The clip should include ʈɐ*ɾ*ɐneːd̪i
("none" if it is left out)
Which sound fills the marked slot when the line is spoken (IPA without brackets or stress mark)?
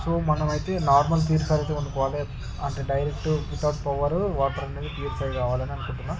ɾ